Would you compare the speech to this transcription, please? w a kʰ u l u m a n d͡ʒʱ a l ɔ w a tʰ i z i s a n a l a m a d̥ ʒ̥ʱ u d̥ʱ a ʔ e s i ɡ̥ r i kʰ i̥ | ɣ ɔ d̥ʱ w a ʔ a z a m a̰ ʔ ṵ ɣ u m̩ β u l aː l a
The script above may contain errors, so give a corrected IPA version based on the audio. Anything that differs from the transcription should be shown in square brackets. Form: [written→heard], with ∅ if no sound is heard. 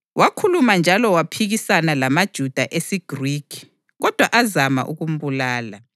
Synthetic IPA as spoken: w a kʰ u l u m a n d͡ʒʱ a l ɔ w a [tʰ→pʰ] i [z→ɣ] i s a n a l a m a d̥ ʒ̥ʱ u d̥ʱ a ʔ e s i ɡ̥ r i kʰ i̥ | ɣ ɔ d̥ʱ w a ʔ a z a m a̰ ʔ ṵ ɣ u m̩ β u l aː l a